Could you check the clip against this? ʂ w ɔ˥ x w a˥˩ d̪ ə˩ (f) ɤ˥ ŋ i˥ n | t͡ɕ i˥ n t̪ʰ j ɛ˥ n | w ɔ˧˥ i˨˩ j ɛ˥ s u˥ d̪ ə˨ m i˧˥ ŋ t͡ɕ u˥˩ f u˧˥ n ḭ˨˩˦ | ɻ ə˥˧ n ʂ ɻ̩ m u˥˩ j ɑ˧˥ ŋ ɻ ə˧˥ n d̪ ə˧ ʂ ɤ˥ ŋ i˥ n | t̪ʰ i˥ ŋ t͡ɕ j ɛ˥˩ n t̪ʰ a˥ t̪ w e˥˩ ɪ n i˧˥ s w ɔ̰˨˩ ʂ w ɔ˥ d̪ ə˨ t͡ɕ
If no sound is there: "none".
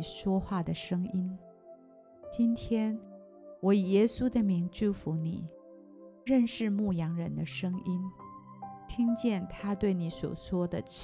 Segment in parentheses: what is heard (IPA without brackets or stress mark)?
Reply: ʂ